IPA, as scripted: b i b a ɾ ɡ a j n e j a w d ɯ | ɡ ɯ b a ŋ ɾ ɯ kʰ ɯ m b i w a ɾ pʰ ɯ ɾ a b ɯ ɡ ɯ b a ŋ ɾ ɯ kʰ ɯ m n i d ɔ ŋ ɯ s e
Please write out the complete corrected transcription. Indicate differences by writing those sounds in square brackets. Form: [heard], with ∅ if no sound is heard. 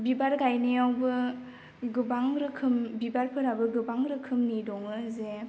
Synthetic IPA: b i b a ɾ ɡ a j n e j a w [b] ɯ | ɡ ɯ b a ŋ ɾ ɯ kʰ ɯ m b i [b] a ɾ pʰ ɯ ɾ a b ɯ ɡ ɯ b a ŋ ɾ ɯ kʰ ɯ m n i d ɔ ŋ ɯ [z] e